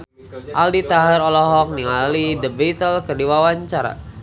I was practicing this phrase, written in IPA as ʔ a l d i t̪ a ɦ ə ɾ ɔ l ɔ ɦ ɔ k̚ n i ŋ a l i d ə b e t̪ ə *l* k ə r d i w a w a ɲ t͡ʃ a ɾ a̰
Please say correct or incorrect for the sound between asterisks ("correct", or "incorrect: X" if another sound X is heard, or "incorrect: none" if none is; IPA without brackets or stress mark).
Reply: correct